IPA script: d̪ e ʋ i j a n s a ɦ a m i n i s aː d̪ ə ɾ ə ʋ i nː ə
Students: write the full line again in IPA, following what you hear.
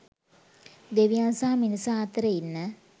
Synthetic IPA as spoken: d̪ e ʋ i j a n s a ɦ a m i n i s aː t̪ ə ɾ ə i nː ə